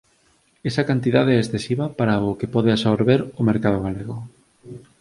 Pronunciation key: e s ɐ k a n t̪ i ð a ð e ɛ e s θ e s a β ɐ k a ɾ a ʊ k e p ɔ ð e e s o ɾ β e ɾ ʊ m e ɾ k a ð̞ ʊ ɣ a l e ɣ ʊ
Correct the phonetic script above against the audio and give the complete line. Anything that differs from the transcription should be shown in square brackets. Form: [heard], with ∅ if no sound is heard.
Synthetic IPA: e s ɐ k a n t̪ i ð a ð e ɛ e s θ e s [i] β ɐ [p] a ɾ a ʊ k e p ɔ ð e [a] s o ɾ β e ɾ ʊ m e ɾ k a ð̞ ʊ ɣ a l e ɣ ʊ